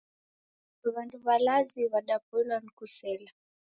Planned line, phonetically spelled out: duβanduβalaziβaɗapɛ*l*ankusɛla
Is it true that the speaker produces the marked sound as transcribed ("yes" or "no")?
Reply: yes